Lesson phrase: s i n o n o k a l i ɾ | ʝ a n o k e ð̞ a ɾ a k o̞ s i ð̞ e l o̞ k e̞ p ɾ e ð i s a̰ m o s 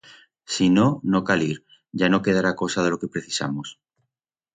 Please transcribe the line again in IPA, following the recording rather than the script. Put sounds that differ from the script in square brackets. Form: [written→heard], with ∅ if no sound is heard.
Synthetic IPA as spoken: s i n o n o k a l i ɾ | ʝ a n o k e ð̞ a ɾ a k o̞ s [i→a] ð̞ e l o̞ k e̞ p ɾ e [ð→θ] i s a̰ m o s